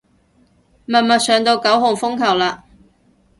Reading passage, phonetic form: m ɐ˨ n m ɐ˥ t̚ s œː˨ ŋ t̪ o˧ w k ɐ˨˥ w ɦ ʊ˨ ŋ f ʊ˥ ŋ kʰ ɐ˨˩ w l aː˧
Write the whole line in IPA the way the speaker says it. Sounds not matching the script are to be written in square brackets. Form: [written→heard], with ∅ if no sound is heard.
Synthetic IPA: m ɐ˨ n m [ɐ˥→ɐ˨] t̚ s œː˨ ŋ t̪ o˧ w k ɐ˨˥ w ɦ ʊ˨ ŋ f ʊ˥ ŋ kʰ ɐ˨˩ w l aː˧